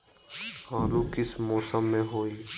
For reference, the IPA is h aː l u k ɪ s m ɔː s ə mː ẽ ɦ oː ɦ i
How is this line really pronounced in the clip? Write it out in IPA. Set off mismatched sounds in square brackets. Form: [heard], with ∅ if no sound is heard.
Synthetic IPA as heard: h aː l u k ɪ s m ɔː s ə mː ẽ ɦ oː [∅] i